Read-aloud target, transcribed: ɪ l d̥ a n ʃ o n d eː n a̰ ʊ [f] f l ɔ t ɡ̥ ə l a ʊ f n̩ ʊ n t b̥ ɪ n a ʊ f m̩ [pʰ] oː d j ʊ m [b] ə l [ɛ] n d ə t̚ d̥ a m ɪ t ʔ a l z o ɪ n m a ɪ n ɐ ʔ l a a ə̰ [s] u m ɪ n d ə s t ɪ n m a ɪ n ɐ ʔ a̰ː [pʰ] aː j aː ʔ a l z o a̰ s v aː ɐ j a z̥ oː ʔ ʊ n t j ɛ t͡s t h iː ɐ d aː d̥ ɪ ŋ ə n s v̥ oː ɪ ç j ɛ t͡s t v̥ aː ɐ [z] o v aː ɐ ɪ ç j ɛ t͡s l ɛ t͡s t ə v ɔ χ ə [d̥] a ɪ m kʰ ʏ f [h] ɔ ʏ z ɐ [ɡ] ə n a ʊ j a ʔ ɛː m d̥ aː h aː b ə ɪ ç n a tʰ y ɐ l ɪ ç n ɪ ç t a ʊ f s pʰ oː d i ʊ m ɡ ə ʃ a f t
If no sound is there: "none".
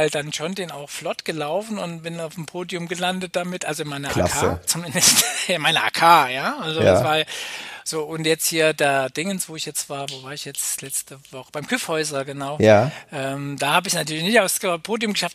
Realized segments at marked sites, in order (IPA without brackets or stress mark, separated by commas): x, pʰ, ɡ, a, t͡s, kʰ, v, b̥, h, ɡ